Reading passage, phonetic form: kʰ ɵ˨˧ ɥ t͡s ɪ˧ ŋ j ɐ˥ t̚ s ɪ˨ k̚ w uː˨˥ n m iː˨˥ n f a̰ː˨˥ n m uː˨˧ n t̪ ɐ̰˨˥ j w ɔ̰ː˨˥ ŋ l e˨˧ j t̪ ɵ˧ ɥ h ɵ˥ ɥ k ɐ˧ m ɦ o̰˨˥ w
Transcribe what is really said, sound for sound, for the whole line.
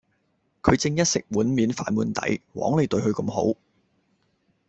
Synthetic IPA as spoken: kʰ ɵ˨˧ ɥ t͡s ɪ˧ ŋ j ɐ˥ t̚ s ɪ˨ k̚ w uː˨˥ n m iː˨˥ n f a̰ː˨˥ n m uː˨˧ n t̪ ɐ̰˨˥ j w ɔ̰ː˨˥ ŋ l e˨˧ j t̪ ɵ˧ ɥ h ɵ˧ ɥ k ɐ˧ m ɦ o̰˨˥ w